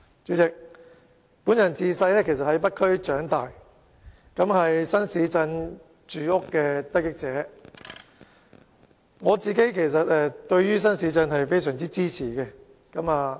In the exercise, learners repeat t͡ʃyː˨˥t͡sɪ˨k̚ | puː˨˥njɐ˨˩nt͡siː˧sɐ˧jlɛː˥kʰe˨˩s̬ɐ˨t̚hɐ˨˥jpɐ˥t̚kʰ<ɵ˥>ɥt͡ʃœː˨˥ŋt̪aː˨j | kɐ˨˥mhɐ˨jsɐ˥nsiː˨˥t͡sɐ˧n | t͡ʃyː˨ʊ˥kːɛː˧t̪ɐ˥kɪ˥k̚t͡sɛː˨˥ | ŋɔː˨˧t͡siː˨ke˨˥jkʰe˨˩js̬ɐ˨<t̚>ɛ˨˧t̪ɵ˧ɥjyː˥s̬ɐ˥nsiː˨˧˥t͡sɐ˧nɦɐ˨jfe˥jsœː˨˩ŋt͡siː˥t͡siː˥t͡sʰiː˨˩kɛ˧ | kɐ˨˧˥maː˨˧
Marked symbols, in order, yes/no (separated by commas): yes, yes